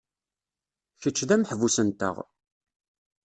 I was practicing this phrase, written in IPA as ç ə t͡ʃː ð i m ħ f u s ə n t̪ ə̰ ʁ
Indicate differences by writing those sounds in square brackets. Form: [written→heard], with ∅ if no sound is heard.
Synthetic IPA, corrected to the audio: ç ə t͡ʃː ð [i→æ] m ħ [f→v] u s ə n t̪ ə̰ ʁ